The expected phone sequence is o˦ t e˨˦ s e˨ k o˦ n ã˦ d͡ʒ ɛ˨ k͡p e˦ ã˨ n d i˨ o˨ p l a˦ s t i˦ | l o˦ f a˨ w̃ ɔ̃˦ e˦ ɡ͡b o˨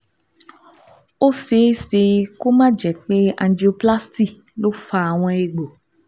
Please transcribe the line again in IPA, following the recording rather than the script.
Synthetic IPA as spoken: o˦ s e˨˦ s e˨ k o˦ m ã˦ d͡ʒ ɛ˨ k͡p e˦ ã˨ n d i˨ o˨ p l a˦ s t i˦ | l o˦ f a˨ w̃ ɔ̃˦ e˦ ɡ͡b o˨